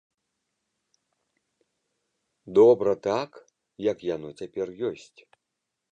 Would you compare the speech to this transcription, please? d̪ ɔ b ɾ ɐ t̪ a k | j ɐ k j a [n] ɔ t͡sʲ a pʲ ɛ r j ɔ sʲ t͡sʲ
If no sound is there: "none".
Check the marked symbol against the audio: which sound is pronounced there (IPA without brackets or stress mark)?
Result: n